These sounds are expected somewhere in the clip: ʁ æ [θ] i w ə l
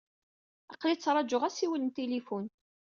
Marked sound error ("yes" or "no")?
yes